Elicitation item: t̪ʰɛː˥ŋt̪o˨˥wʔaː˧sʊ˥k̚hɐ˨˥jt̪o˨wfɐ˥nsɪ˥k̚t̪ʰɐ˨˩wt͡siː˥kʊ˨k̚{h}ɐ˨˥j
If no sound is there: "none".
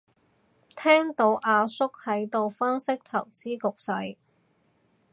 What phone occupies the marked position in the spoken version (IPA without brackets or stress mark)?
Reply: s